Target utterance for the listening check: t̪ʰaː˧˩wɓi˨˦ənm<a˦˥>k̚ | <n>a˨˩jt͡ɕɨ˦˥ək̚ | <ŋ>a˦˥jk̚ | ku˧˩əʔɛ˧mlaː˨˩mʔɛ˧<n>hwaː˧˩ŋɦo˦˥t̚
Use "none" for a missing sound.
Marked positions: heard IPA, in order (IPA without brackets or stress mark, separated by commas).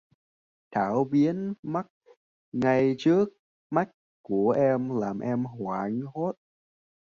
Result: a˦˥, ŋ, m, m